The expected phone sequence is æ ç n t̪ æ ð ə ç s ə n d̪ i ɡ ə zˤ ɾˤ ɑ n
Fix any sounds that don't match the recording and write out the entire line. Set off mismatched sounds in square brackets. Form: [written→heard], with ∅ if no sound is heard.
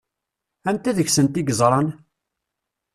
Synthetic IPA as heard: æ [ç→∅] n t̪ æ ð ə ç s ə n [d̪→t̪] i ɡ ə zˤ ɾˤ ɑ n